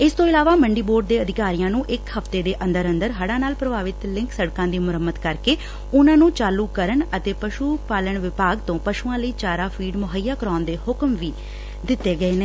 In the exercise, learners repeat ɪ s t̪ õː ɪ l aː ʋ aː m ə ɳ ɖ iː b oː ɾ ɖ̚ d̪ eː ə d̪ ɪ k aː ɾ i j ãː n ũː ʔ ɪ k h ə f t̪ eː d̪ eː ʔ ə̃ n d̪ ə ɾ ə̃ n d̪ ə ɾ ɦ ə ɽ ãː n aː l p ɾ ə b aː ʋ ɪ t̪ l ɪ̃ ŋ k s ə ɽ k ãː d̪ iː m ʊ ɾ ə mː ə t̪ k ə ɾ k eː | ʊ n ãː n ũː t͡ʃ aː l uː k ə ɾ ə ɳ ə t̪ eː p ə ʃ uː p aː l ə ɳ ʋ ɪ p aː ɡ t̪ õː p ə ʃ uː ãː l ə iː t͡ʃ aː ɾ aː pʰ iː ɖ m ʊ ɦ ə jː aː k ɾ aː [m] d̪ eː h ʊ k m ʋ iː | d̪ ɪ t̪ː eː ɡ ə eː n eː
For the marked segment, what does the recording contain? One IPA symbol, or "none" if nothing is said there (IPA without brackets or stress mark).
n